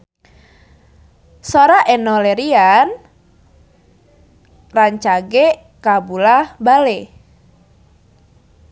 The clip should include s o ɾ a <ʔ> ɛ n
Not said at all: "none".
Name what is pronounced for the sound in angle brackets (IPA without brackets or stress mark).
ʔ